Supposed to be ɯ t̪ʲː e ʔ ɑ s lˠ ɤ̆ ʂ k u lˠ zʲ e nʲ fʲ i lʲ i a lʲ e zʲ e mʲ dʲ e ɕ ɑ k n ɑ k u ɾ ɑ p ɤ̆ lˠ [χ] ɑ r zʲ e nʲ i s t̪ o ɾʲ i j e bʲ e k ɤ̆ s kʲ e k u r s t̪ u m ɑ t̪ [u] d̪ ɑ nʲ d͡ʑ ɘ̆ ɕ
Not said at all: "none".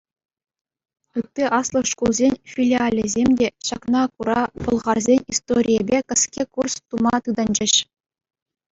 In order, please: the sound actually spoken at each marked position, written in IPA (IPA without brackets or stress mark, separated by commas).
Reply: ʁ, ɯ